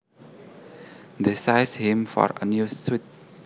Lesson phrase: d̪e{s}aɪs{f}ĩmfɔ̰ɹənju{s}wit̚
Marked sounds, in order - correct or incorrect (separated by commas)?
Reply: correct, incorrect, correct